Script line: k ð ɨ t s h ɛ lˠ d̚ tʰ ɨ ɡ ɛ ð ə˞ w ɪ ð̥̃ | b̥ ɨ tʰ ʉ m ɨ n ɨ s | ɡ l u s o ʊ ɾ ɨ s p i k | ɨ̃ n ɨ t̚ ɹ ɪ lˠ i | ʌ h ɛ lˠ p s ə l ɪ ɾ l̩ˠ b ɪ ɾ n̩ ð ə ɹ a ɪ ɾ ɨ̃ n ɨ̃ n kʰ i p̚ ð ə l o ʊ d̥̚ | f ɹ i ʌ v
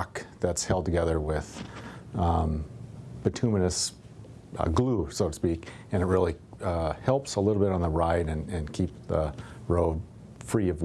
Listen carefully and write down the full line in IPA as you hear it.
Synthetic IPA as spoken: k ð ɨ t s h ɛ lˠ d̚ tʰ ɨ ɡ ɛ ð ə˞ w ɪ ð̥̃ | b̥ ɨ tʰ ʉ m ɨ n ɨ s | ɡ l u s o ʊ ɾ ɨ s p i k | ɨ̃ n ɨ t̚ ɹ ɪ lˠ i | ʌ h ɛ lˠ p s ə l ɪ ɾ l̩ˠ b ɪ ɾ n̩ ð ə ɹ a ɪ ɾ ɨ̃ n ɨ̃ n kʰ i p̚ ð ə ɹ o ʊ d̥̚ | f ɹ i ʌ v